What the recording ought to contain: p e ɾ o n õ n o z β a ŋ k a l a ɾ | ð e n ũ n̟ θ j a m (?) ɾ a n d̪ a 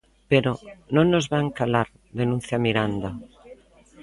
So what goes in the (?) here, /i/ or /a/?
i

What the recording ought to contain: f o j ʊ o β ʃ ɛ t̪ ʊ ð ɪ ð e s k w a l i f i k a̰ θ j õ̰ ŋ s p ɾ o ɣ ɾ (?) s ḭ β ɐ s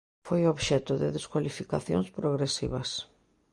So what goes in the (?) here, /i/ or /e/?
e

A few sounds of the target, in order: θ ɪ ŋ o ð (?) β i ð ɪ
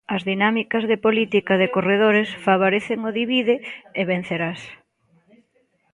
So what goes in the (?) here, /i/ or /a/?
i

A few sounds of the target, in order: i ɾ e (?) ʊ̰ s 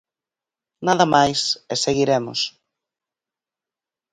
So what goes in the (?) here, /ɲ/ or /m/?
m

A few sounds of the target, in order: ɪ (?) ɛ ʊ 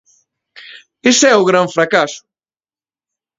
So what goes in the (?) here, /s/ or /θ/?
s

